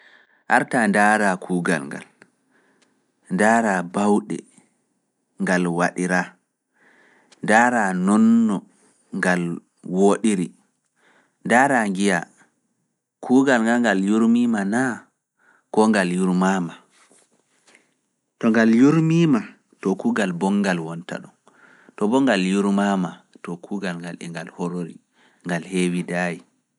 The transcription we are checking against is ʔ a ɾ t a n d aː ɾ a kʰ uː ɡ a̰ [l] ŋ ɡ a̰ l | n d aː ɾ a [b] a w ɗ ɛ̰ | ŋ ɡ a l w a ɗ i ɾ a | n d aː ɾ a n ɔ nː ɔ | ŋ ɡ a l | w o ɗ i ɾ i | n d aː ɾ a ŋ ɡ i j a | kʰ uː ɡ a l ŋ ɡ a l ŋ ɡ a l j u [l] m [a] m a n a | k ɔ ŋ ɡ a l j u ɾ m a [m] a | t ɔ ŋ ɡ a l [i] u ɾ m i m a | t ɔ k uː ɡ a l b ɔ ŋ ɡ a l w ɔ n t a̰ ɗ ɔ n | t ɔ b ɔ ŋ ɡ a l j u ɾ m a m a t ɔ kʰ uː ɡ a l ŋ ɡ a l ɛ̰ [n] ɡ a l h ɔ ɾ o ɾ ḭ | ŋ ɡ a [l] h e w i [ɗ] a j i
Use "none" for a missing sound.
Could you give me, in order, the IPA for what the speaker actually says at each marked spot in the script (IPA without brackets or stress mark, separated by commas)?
l, b, ɾ, i, m, j, ŋ, l, d